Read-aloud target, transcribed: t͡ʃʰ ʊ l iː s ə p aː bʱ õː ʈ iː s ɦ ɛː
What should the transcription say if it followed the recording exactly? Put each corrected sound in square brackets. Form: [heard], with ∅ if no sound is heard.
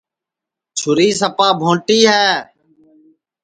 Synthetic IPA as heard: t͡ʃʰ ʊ [ɾ] iː s ə p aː bʱ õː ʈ iː [∅] ɦ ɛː